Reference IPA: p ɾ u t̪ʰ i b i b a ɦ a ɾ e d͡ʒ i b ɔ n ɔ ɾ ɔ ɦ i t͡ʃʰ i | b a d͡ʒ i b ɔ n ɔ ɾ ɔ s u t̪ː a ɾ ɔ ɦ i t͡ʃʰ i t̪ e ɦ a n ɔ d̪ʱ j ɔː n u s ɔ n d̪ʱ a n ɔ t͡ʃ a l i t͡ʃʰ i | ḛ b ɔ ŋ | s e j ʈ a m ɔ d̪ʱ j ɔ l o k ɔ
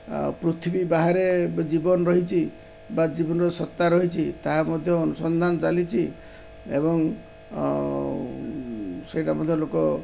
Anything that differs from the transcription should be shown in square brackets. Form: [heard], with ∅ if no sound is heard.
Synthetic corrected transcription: p ɾ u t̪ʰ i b i b a ɦ a ɾ e d͡ʒ i b ɔ n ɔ ɾ ɔ ɦ i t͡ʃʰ i | b a d͡ʒ i b ɔ n ɔ ɾ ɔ s [ɔ] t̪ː a ɾ ɔ ɦ i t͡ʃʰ i t̪ [a] ɦ a [m] ɔ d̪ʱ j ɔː n u s ɔ n d̪ʱ a n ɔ t͡ʃ a l i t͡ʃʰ i | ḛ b ɔ ŋ | s e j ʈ a m ɔ d̪ʱ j ɔ l o k ɔ